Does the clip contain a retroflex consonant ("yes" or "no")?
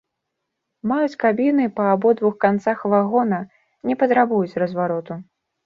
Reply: no